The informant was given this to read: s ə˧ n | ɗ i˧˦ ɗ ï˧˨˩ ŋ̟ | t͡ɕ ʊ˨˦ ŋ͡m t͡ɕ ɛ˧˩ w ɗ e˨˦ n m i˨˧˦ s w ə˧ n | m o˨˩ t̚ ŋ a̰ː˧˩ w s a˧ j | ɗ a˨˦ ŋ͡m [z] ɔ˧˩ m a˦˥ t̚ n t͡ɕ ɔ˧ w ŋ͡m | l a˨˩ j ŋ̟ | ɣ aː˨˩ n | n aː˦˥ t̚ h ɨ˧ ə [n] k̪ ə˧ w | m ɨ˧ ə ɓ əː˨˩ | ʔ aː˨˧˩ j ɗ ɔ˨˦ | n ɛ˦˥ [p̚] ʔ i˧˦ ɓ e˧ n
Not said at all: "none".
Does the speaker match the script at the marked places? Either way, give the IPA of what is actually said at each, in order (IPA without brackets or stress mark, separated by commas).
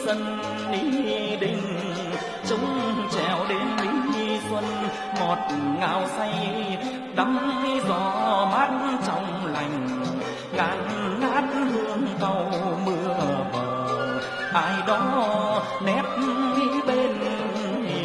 z, ŋ, p̚